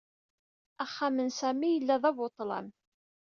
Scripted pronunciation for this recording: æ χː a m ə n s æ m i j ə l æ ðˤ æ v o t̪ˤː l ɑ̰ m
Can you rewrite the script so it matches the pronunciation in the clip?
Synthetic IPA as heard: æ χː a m ə n s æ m i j ə lː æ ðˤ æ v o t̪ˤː l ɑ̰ m